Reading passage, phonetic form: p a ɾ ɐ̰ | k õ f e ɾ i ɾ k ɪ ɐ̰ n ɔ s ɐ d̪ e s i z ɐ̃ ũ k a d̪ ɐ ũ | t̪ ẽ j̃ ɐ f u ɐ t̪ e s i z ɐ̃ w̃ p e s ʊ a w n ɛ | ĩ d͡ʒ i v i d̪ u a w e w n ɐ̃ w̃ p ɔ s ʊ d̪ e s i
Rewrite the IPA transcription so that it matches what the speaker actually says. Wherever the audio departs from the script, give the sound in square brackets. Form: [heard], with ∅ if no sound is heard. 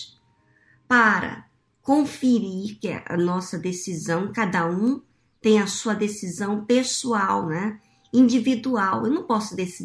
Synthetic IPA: p a ɾ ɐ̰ | k õ f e ɾ i ɾ k ɪ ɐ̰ n ɔ s ɐ d̪ e s i z ɐ̃ [w̃] k a d̪ ɐ ũ | t̪ ẽ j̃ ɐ [s] u ɐ [d̪] e s i z ɐ̃ w̃ p e s [u] a w n ɛ | ĩ d͡ʒ i v i d̪ u a w e w n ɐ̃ w̃ p ɔ s ʊ d̪ e s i